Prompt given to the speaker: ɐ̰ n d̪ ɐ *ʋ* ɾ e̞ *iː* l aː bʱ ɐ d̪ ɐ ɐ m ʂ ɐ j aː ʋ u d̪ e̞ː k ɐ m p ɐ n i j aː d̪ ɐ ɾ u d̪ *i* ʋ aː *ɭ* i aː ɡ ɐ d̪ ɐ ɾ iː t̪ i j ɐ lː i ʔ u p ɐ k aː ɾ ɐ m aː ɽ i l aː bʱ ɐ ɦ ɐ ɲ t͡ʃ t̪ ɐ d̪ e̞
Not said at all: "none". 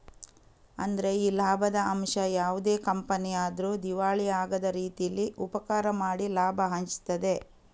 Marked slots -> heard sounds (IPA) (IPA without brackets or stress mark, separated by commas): none, iː, i, ɭ